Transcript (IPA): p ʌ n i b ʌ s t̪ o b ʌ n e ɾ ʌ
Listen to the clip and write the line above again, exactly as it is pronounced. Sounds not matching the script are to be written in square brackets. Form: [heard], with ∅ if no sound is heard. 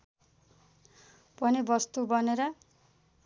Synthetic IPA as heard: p ʌ n i b ʌ s t̪ [u] b ʌ n e ɾ ʌ